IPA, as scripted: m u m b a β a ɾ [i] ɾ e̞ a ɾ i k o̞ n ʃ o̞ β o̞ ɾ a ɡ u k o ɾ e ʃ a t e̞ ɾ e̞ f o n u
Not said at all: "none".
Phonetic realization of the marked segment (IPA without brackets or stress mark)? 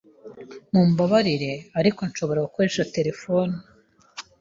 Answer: i